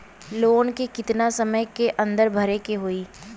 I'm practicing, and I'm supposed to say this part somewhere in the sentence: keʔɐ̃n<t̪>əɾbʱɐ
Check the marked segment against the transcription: incorrect: d̪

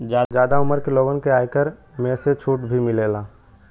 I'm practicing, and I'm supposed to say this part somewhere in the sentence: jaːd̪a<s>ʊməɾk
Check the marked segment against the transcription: incorrect: none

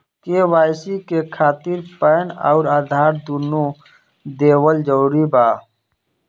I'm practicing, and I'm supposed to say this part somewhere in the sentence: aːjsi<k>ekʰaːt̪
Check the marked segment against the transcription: correct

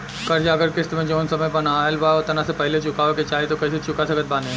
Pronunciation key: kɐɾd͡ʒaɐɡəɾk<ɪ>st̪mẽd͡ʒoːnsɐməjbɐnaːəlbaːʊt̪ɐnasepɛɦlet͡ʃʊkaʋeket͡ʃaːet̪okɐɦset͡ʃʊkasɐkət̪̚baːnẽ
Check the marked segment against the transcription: correct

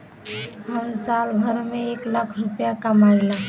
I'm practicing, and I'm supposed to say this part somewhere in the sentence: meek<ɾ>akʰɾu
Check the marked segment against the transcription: incorrect: l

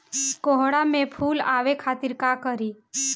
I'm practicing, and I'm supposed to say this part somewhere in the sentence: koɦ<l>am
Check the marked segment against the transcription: incorrect: ɽ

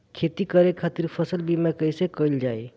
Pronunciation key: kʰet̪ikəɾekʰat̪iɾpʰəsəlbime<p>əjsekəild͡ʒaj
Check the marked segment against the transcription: incorrect: k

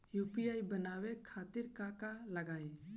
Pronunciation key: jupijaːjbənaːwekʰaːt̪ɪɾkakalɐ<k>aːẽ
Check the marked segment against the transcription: incorrect: ɡ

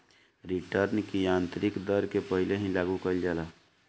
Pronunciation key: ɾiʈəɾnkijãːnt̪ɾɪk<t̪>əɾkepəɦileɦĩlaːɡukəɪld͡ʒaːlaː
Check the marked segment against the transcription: incorrect: d̪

